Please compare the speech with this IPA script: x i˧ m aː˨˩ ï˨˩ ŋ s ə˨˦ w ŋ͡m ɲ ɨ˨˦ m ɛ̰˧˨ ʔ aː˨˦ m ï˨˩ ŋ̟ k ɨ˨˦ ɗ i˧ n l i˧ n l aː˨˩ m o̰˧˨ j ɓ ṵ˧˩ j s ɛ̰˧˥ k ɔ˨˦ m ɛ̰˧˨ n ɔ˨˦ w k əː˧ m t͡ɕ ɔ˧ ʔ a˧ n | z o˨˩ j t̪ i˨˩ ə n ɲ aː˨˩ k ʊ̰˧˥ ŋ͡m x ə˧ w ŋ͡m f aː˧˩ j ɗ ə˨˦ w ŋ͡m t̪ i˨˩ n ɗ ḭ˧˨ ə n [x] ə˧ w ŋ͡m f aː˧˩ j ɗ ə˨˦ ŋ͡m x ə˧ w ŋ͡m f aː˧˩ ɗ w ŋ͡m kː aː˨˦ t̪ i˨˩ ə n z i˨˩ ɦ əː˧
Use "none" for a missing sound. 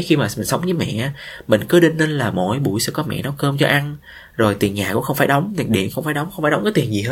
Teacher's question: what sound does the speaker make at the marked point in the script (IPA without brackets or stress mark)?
x